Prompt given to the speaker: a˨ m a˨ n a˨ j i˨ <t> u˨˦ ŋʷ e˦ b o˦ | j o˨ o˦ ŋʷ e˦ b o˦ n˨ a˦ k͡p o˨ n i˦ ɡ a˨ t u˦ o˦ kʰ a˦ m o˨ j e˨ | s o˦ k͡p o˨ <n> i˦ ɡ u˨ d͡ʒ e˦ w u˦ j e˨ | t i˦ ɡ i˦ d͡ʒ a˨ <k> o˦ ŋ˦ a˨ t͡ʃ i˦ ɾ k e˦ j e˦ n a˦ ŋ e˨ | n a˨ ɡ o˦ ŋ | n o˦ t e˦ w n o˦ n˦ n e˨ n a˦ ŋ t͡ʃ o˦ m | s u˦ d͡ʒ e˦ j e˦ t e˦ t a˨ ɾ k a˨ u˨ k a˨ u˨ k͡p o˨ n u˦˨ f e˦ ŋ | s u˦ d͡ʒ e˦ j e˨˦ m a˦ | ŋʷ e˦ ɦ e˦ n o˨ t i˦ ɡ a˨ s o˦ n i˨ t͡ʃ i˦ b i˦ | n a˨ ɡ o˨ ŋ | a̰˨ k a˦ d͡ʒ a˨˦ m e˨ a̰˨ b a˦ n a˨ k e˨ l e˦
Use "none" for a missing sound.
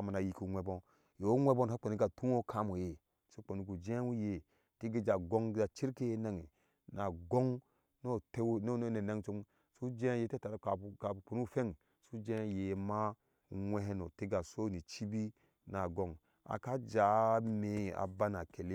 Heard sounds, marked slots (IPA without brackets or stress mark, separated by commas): k, n, ɡ